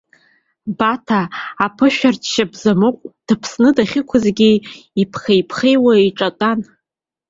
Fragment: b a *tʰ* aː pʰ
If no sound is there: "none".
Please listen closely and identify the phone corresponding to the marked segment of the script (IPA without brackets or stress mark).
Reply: tʰ